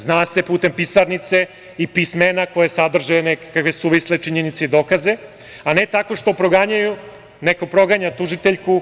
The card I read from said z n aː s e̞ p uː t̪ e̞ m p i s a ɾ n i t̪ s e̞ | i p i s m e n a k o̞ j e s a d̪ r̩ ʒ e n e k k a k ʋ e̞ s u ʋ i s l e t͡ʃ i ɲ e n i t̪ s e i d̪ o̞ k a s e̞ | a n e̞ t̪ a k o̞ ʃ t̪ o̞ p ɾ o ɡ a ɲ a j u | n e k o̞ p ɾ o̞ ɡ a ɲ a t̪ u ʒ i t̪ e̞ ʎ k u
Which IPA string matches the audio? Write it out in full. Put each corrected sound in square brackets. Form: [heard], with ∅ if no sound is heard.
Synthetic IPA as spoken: z n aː s e̞ p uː t̪ e̞ m p i s a ɾ n i t̪ s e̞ | i p i s m e n a k o̞ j e s a d̪ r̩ ʒ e n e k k a k ʋ e̞ s u ʋ i s l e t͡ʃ i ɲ e n i t̪ s e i d̪ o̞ k a [z] e̞ | a n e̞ t̪ a k o̞ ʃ t̪ o̞ p ɾ o ɡ a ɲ a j u | n e k o̞ p ɾ o̞ ɡ a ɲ a t̪ u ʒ i t̪ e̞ ʎ k u